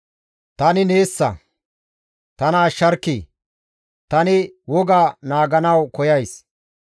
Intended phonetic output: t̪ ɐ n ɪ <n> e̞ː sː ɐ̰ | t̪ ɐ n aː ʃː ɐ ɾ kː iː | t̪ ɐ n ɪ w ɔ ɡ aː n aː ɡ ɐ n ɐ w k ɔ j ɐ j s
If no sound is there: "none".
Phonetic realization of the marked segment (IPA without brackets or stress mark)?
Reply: n